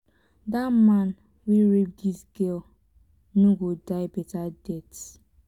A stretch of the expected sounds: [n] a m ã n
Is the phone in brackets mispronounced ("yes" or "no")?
yes